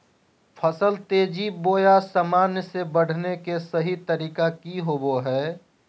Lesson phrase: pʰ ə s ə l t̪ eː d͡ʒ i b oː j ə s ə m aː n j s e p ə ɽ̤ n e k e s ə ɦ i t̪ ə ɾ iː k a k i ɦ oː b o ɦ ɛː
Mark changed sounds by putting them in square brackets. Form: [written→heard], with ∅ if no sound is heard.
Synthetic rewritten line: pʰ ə s ə l t̪ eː d͡ʒ i b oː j [ə→a] s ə m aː n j s e [p→b] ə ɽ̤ n e k e s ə ɦ i t̪ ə ɾ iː k a k i ɦ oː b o ɦ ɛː